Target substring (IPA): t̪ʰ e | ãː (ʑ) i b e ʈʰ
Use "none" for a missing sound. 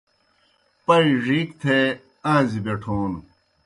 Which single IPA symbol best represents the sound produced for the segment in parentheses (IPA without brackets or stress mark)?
z